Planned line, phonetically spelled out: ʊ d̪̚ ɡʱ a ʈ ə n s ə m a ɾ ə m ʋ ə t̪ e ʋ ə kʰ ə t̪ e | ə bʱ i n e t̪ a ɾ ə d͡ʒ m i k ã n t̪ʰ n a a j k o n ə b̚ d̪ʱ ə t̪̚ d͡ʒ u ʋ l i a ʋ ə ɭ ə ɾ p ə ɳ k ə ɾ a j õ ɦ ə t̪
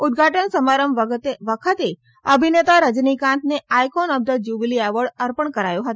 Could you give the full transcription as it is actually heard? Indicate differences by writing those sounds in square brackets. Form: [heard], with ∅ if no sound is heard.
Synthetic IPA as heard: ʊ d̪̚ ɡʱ a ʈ ə n s ə m a ɾ ə m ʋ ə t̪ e ʋ ə kʰ ə t̪ e | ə bʱ i n e t̪ a ɾ ə d͡ʒ [n] i k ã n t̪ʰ n [e] a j k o n ə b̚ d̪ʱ ə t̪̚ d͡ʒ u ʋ l i a ʋ ə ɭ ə ɾ p ə ɳ k ə ɾ a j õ ɦ ə t̪